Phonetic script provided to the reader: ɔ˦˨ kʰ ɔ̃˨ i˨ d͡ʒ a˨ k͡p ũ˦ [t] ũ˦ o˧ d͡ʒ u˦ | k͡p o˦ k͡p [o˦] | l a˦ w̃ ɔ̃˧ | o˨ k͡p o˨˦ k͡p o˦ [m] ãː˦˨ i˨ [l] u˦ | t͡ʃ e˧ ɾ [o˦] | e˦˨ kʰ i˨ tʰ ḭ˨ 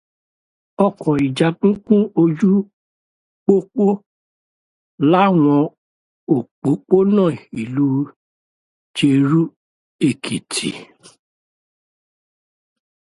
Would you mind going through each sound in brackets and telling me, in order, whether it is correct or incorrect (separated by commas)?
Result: incorrect, correct, incorrect, correct, incorrect